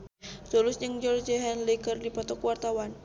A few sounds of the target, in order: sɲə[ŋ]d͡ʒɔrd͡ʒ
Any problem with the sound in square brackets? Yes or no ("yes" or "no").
no